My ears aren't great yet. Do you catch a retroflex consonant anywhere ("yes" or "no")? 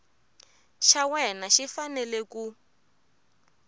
no